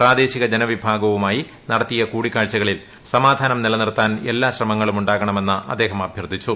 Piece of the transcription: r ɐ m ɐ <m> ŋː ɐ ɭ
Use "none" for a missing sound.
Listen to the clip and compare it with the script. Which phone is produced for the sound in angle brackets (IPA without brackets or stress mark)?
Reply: none